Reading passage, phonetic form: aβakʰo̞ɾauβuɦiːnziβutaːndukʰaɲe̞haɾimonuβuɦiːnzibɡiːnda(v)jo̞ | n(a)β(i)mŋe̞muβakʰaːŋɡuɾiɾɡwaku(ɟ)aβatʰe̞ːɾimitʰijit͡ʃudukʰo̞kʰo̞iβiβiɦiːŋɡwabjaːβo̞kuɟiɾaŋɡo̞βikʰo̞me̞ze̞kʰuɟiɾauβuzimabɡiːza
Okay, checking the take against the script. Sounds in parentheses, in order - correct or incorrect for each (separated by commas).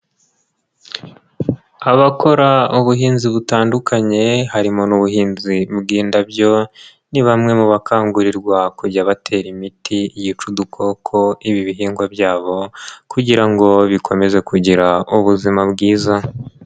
incorrect, incorrect, incorrect, correct